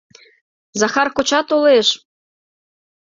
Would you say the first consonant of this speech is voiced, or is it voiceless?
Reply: voiced